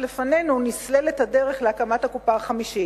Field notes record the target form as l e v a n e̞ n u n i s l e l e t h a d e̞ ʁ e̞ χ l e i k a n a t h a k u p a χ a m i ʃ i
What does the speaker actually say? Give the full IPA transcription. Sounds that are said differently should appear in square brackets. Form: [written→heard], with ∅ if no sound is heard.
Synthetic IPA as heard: l e [v→f] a n e̞ n u n i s l e l e t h a d e̞ ʁ e̞ χ l e [i→a] k a [n→m] a t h a k u p a χ a m i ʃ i